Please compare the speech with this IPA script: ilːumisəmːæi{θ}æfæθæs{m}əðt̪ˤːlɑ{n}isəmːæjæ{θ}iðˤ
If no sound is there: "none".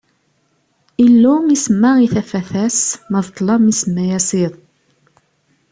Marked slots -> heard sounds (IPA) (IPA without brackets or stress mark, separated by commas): θ, m, m, s